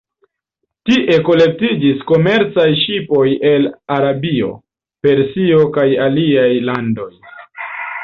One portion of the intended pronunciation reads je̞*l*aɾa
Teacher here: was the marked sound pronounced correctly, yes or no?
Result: yes